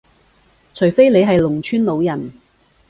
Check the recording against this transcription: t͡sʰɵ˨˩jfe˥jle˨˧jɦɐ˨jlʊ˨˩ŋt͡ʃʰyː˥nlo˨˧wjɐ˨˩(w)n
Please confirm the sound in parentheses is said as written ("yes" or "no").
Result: no